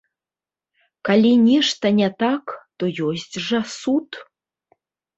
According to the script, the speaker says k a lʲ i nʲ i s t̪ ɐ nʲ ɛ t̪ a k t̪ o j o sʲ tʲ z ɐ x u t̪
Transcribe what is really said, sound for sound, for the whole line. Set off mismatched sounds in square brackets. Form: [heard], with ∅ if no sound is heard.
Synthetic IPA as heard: k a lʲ i nʲ i [ʂ] t̪ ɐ nʲ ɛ t̪ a k t̪ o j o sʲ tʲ [ʐ] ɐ [s] u t̪